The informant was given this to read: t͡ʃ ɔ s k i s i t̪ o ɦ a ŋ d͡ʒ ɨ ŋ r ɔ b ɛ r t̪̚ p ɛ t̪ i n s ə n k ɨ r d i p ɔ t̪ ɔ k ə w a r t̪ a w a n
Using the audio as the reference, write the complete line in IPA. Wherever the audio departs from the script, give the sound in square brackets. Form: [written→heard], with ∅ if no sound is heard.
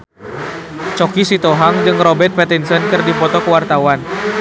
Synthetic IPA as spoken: t͡ʃ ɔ [s→∅] k i s i t̪ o ɦ a ŋ d͡ʒ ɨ ŋ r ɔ b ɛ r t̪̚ p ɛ t̪ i n s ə n k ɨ r d i p ɔ t̪ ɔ k ə w a r t̪ a w a n